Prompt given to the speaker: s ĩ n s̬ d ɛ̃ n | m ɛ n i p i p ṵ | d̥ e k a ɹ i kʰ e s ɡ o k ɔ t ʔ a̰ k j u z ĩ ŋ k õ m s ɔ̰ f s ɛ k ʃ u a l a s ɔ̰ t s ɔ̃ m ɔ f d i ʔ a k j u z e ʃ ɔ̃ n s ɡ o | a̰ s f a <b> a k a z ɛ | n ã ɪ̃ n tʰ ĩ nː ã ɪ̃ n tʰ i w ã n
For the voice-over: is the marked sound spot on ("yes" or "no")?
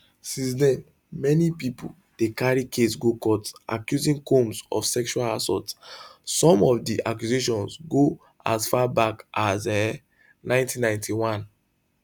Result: yes